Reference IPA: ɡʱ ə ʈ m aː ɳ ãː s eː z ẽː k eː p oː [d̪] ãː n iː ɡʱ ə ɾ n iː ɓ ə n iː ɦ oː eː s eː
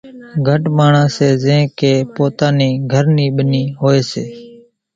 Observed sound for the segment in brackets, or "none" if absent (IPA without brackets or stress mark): t̪